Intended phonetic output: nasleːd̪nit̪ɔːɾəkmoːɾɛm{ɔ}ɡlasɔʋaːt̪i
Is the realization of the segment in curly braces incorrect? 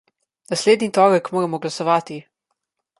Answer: no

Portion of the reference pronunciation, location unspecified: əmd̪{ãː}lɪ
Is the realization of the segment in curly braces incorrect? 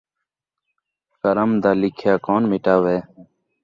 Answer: yes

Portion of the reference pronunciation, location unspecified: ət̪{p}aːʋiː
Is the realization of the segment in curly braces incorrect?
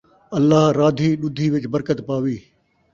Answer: no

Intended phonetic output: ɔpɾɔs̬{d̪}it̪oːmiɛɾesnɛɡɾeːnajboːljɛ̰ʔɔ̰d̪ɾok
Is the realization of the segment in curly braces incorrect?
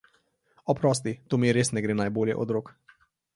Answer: yes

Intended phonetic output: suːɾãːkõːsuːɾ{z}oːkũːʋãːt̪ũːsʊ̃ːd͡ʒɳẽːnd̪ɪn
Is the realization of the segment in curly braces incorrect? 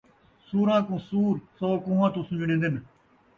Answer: yes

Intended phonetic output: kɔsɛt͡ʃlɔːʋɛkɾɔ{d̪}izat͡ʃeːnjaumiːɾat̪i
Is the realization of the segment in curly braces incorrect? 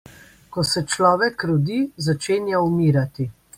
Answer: no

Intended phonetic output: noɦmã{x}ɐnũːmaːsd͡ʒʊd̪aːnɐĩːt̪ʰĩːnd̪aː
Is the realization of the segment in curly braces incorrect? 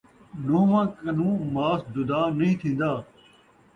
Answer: yes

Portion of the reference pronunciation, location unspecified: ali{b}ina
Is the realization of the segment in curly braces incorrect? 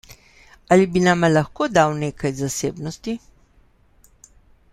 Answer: no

